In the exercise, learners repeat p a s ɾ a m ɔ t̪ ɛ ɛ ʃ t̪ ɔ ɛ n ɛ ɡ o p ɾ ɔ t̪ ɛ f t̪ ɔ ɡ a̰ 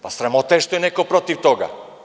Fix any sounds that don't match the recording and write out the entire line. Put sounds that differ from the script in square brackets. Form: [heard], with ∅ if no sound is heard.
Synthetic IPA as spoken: p a s ɾ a m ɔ t̪ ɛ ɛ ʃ t̪ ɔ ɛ n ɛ [k] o p ɾ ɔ t̪ [i] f t̪ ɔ ɡ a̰